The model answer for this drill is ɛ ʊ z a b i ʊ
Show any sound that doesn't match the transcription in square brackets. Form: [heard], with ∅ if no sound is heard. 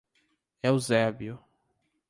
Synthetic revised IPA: ɛ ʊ z [ɛ] b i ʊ

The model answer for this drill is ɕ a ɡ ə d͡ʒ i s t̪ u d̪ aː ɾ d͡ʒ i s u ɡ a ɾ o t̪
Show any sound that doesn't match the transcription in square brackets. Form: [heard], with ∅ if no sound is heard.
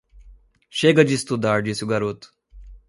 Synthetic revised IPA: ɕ [e] ɡ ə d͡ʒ i s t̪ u d̪ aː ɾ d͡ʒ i s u ɡ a ɾ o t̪

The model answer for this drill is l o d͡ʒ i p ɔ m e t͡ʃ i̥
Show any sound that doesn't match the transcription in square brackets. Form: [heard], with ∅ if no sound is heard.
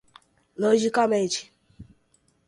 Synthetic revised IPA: l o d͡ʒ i [k] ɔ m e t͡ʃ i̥

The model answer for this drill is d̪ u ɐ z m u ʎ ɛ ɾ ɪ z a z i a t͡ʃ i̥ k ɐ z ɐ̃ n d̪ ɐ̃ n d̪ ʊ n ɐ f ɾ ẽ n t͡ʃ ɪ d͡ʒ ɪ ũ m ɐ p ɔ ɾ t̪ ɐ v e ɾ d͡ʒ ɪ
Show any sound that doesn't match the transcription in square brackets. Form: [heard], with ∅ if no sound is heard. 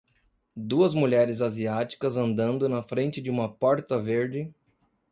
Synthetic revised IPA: d̪ u ɐ z m u ʎ ɛ ɾ ɪ z a z i a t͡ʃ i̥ k ɐ z ɐ̃ n d̪ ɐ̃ n d̪ ʊ n ɐ f ɾ ẽ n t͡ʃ ɪ d͡ʒ ɪ ũ m ɐ p ɔ ɾ t̪ ɐ v e ɾ d͡ʒ ɪ

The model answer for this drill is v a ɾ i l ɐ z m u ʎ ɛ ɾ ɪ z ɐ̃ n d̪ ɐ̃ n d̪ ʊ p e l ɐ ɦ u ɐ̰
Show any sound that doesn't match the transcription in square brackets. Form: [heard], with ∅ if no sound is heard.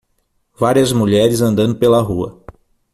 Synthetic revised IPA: v a ɾ i [∅] ɐ z m u ʎ ɛ ɾ ɪ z ɐ̃ n d̪ ɐ̃ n d̪ ʊ p e l ɐ ɦ u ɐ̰

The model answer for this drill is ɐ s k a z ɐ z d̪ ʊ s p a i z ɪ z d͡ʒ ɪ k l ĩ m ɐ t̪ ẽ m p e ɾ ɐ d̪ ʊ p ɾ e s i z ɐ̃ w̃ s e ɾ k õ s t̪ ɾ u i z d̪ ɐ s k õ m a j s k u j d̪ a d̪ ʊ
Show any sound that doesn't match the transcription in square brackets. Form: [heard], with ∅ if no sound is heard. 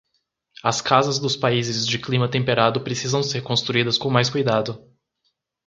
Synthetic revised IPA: ɐ s k a z ɐ z d̪ ʊ s p a i z ɪ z d͡ʒ ɪ k l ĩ m ɐ t̪ ẽ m p e ɾ [a] d̪ ʊ p ɾ e s i z ɐ̃ w̃ s e ɾ k õ s t̪ ɾ u i [∅] d̪ ɐ s k õ m a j s k u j d̪ a d̪ ʊ

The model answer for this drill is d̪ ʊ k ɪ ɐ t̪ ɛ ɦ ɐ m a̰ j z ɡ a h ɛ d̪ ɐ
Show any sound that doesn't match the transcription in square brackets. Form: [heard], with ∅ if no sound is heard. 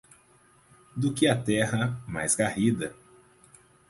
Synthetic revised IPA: d̪ ʊ k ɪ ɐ t̪ ɛ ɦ ɐ m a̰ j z ɡ a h [i] d̪ ɐ

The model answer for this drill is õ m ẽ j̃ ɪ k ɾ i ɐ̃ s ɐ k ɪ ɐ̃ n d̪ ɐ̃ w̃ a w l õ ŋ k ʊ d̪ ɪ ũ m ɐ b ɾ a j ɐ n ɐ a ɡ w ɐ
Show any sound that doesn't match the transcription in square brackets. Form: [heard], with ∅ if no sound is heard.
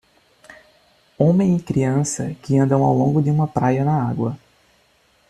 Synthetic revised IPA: õ m ẽ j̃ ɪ k ɾ i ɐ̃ s ɐ k ɪ ɐ̃ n d̪ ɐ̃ w̃ a w l õ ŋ [ɡ] ʊ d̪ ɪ ũ m ɐ [p] ɾ a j ɐ n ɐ a ɡ w ɐ

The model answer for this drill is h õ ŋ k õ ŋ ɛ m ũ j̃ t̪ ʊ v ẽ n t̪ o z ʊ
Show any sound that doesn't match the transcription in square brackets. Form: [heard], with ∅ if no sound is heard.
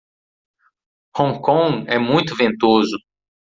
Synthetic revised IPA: h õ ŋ k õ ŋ ɛ m ũ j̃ t̪ ʊ v ẽ n t̪ o z ʊ

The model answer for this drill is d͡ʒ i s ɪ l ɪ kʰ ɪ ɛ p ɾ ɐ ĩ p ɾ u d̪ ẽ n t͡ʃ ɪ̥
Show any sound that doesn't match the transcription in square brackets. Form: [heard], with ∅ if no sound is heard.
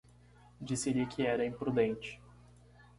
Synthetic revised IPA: d͡ʒ i s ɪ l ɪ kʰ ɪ ɛ [∅] ɾ ɐ ĩ p ɾ u d̪ ẽ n t͡ʃ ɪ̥

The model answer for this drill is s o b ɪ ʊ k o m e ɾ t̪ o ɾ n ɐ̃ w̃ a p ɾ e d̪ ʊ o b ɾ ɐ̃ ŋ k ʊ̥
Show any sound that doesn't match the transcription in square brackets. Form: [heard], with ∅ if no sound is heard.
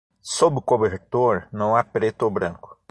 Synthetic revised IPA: s o b ɪ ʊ k o [b] e ɾ t̪ o ɾ n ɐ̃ w̃ a p ɾ e [t̪] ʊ o b ɾ ɐ̃ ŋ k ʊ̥

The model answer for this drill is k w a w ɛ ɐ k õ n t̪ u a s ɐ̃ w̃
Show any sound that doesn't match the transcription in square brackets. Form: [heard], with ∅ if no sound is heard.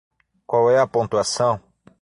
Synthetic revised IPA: k w a w ɛ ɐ [p] õ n t̪ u a s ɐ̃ w̃

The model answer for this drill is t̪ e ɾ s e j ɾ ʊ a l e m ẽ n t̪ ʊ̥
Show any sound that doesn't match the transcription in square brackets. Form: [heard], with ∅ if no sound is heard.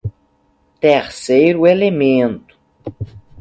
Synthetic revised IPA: t̪ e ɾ s e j ɾ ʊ [e] l e m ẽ n t̪ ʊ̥

